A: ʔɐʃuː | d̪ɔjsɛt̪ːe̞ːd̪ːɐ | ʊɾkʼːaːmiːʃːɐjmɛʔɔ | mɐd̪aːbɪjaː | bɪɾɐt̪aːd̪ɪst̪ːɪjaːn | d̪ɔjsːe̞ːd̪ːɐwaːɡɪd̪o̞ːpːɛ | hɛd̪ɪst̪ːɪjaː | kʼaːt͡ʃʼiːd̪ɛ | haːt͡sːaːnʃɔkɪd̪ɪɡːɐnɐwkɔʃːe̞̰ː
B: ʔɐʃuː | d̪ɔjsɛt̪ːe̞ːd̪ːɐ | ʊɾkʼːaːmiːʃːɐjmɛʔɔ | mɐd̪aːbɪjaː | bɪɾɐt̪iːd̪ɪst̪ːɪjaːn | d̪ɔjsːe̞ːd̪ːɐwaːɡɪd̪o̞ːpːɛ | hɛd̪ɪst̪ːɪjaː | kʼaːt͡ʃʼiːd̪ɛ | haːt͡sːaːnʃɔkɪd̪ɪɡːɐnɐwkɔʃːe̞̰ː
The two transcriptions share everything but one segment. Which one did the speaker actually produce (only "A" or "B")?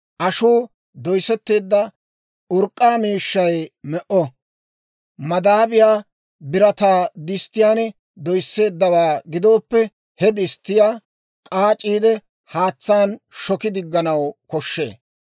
A